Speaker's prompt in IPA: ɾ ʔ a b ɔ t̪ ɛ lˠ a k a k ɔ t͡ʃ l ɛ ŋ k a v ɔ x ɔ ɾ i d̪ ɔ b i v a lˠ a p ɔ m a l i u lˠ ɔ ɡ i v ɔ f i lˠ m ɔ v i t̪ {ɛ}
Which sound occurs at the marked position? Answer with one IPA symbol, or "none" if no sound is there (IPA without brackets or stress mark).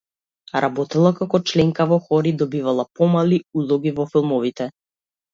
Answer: ɛ